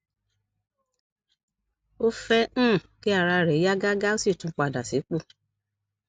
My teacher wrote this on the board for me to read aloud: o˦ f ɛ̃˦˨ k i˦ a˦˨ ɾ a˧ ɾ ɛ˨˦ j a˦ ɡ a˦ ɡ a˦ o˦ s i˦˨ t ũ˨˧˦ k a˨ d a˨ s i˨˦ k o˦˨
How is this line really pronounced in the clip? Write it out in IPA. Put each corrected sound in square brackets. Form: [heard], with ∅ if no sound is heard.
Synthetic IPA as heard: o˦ f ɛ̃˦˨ k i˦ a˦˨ ɾ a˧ ɾ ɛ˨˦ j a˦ ɡ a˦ ɡ a˦ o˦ s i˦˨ t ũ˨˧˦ [k͡p] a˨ d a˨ s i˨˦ [k͡p] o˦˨